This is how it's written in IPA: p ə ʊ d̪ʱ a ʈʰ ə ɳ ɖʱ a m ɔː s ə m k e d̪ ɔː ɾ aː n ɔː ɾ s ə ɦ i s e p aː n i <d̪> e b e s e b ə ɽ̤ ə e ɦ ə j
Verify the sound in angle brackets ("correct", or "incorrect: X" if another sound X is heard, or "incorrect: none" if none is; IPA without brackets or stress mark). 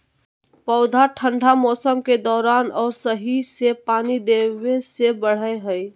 correct